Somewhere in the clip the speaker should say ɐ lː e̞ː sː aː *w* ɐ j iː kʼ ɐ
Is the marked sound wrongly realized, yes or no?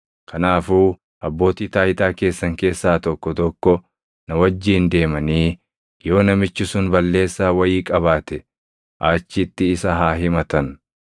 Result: no